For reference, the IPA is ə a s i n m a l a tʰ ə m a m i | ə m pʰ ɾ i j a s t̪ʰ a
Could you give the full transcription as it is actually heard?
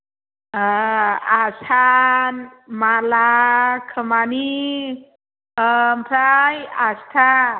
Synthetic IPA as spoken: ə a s a n m a l a kʰ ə m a n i | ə m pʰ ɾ a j a s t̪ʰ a

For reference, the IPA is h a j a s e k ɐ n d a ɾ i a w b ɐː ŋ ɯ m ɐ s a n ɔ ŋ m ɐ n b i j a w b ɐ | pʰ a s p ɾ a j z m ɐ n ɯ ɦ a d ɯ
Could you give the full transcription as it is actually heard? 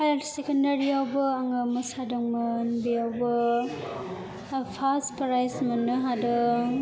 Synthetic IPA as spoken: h a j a s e k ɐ n d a ɾ i a w b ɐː ŋ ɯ m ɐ s a d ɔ ŋ m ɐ n b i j a w b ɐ | pʰ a s p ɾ a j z m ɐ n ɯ ɦ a d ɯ

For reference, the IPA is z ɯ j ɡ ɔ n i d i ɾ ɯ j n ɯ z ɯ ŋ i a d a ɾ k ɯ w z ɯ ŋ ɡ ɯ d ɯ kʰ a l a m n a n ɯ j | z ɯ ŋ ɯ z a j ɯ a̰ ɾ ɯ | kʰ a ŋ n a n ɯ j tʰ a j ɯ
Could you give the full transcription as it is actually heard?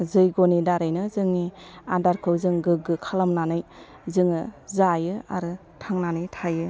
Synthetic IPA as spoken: z ɯ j ɡ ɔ n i d a ɾ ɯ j n ɯ z ɯ ŋ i a d a ɾ kʰ ɯ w z ɯ ŋ ɡ ɯ ɡ ɯ kʰ a l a m n a n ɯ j | z ɯ ŋ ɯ z a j ɯ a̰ ɾ ɯ | tʰ a ŋ n a n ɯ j tʰ a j ɯ

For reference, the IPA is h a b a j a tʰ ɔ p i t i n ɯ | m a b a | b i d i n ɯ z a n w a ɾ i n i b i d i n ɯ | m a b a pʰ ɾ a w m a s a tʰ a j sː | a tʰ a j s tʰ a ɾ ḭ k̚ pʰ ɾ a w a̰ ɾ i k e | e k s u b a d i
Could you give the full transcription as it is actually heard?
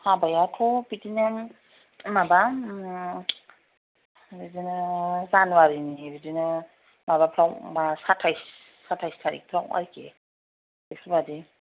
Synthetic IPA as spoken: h a b a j a tʰ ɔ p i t i n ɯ | m a b a | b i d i n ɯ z a n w a ɾ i n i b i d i n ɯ | m a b a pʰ ɾ a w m a s a tʰ a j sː | a tʰ a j s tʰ a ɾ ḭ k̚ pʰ ɾ a w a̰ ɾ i k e | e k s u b a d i

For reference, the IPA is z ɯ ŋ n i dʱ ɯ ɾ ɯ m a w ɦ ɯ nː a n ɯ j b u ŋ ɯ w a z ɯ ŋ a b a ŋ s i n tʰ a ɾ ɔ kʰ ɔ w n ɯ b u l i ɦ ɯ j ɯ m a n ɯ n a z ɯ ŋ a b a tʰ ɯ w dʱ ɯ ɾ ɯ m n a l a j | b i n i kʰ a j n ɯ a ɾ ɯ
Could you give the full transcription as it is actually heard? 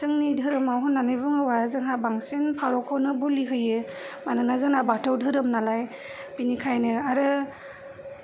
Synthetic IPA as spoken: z ɯ ŋ n i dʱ ɯ ɾ ɯ m a w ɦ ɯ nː a n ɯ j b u ŋ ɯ w a z ɯ ŋ a b a ŋ s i n pʰ a ɾ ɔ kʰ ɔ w n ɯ b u l i ɦ ɯ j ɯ m a n ɯ n a z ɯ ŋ a b a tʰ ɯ w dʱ ɯ ɾ ɯ m n a l a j | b i n i kʰ a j n ɯ a ɾ ɯ

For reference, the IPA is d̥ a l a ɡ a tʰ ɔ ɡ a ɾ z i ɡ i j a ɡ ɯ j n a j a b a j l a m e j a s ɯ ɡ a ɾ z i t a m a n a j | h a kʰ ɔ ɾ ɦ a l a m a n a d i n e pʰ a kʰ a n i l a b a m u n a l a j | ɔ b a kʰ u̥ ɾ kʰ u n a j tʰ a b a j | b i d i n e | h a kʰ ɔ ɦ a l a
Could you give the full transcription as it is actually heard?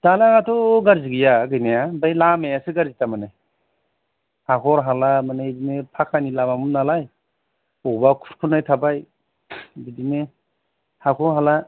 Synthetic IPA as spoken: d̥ a l a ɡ a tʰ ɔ ɡ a ɾ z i ɡ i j a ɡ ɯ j n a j a b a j l a m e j a s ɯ ɡ a ɾ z i t a m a n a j | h a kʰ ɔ ɾ ɦ a l a m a n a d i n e pʰ a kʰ a n i l a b a m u n a l a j | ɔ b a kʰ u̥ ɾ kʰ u n a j tʰ a b a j | b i d i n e | h a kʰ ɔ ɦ a l a

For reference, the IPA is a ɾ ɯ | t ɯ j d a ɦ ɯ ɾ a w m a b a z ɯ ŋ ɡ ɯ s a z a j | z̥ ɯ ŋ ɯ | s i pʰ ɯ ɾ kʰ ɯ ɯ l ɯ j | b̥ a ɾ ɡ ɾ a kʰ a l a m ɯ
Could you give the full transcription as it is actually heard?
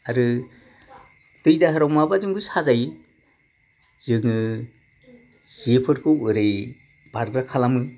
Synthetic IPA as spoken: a ɾ ɯ | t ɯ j d a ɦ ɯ ɾ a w m a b a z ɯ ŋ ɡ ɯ s a z a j | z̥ ɯ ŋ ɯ | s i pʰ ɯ ɾ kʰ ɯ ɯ ɾ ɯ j | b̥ a ɾ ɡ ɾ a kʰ a l a m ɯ

